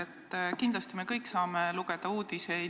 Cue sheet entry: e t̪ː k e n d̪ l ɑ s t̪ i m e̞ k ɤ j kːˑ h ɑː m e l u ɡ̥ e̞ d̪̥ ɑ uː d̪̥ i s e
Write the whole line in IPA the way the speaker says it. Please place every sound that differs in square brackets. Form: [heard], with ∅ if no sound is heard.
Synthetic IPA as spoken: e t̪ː k [i] n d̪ l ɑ s t̪ i m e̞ k ɤ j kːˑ [s] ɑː m e l u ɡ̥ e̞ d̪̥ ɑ uː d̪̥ i s e